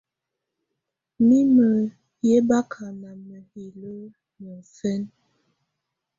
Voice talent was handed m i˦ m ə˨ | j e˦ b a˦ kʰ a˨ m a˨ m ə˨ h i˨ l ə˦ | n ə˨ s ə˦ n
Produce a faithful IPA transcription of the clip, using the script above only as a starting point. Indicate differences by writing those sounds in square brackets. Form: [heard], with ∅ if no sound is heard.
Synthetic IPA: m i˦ m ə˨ | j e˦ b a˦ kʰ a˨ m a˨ m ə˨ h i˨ l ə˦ | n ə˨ s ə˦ n